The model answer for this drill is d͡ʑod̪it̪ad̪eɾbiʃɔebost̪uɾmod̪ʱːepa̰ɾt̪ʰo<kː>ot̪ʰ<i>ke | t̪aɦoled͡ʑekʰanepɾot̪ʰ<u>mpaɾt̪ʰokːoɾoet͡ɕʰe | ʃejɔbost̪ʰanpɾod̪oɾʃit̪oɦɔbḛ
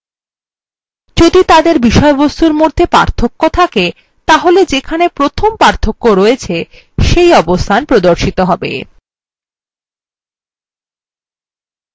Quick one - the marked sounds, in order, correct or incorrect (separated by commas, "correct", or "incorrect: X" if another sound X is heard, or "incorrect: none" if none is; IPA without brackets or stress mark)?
correct, incorrect: a, incorrect: o